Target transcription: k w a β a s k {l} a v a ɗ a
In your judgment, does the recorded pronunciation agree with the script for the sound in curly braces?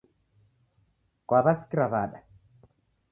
no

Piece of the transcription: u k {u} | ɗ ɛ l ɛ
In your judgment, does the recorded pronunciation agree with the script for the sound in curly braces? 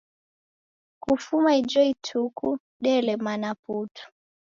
yes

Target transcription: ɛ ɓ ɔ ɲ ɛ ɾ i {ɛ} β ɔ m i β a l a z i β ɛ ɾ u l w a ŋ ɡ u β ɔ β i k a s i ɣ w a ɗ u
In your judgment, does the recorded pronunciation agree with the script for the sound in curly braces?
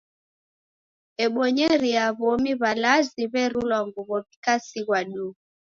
no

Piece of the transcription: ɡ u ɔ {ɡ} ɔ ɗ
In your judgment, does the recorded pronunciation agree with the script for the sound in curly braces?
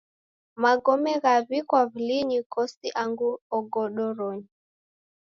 yes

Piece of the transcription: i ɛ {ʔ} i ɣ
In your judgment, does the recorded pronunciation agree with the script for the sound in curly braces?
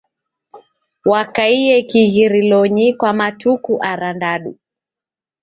no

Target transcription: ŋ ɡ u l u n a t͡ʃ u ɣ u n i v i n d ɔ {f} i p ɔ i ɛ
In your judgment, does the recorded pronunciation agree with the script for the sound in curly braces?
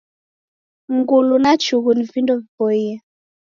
no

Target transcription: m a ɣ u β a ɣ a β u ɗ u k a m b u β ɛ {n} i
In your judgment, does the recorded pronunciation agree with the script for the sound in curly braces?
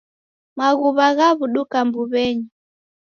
no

